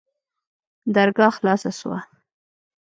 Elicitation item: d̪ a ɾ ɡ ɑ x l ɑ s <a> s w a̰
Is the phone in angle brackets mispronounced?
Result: no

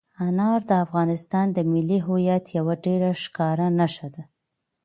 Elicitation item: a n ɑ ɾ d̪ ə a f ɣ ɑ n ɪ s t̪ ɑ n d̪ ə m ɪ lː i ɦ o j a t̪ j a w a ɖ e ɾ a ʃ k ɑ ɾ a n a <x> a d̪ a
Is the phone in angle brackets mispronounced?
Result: yes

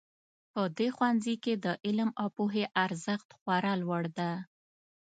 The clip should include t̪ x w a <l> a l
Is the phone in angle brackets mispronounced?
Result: yes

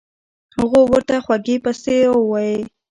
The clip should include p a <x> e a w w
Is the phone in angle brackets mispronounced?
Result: yes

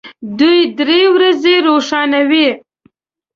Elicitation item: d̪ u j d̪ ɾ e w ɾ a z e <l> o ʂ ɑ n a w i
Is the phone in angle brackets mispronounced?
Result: yes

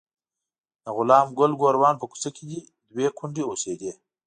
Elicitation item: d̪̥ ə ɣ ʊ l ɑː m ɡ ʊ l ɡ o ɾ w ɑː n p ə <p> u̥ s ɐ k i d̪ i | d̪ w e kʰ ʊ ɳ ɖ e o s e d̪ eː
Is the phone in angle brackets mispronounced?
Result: yes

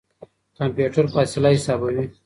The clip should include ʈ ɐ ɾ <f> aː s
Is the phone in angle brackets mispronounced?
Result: no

